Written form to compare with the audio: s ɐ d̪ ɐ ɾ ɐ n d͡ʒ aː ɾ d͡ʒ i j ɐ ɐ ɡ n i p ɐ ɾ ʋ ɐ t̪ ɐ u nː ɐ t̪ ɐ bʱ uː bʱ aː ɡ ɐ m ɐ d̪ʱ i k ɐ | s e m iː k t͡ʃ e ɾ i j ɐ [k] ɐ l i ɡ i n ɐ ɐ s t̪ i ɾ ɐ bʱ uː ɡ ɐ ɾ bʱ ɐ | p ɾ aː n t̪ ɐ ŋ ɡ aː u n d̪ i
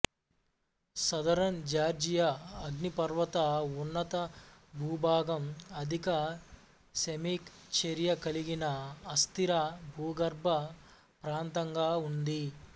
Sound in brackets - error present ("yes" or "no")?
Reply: no